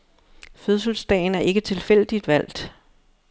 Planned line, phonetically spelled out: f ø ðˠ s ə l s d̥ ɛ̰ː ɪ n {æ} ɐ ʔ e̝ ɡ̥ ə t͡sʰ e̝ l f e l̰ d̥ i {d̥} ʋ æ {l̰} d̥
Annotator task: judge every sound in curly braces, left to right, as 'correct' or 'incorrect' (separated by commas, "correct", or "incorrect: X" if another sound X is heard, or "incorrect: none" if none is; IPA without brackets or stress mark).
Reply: correct, correct, correct